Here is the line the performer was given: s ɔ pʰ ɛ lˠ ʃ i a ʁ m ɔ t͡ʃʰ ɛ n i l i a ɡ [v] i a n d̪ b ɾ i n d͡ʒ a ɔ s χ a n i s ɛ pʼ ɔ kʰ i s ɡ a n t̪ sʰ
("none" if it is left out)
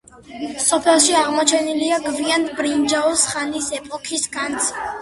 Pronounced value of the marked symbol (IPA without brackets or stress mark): v